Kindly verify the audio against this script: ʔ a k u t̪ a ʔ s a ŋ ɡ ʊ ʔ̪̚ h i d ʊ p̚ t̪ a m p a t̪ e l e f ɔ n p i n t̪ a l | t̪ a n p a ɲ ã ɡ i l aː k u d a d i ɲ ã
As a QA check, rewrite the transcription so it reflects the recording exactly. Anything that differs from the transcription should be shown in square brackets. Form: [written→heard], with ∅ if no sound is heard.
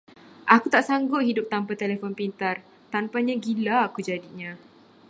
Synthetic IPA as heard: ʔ a k u t̪ a ʔ s a ŋ ɡ ʊ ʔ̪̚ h i d ʊ p̚ t̪ a m p a t̪ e l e f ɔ n p i n t̪ a [l→r] | t̪ a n p a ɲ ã ɡ i l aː k u [d→d͡ʒ] a d i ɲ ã